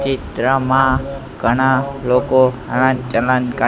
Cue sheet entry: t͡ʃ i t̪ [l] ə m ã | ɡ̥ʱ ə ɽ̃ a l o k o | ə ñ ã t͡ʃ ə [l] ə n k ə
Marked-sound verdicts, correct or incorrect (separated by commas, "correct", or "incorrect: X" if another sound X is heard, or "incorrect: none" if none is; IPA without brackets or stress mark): incorrect: ɾ, correct